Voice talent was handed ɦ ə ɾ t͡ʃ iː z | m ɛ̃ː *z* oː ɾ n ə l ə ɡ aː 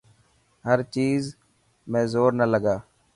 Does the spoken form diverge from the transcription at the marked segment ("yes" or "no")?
no